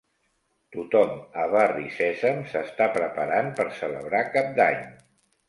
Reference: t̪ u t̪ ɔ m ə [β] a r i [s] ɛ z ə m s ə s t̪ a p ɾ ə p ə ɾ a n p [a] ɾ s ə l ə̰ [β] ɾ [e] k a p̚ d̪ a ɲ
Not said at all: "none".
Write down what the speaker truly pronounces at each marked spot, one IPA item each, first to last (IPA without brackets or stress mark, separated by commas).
β, s, ə, β, a